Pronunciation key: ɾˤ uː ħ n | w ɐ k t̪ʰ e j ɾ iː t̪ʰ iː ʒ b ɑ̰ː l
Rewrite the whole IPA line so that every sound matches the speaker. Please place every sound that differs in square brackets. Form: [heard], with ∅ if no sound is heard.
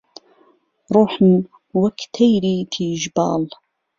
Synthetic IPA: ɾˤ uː ħ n | w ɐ k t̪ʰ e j ɾ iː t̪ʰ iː ʒ b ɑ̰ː l